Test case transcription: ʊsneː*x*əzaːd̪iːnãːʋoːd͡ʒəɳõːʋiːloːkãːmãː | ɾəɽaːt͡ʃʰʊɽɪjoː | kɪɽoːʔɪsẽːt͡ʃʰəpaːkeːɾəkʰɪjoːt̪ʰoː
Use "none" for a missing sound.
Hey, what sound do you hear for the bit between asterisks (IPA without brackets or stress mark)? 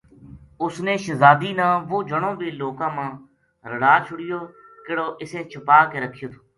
ʃ